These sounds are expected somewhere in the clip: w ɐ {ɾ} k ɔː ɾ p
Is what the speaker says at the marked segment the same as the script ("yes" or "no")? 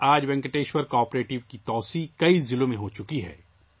yes